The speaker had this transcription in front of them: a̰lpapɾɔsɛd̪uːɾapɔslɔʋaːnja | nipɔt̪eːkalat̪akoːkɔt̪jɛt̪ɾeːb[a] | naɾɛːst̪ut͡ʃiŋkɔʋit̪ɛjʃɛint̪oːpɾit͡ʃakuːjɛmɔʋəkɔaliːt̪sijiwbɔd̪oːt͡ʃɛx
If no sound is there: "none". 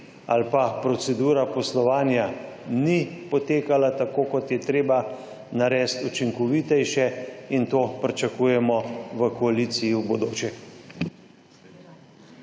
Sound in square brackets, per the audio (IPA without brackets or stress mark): a